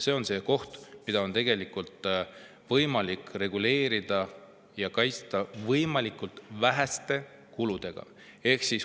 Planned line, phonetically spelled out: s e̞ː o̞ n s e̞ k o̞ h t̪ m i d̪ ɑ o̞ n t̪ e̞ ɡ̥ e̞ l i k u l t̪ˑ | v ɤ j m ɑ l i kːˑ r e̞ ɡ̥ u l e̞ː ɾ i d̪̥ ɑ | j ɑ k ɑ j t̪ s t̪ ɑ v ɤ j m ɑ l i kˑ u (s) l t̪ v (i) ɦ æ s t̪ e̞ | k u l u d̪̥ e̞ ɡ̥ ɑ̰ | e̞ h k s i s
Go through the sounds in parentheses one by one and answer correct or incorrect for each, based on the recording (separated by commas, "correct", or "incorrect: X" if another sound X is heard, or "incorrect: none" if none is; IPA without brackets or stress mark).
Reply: incorrect: none, incorrect: æ